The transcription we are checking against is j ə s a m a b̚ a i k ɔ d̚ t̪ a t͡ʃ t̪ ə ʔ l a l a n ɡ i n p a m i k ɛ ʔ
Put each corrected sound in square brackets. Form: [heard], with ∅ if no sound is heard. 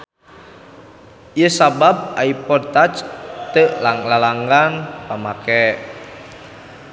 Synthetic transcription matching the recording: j ə s a [b] a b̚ a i [p] ɔ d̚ t̪ a t͡ʃ t̪ ə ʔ l a l a [ŋ] ɡ [a] n p a m [a] k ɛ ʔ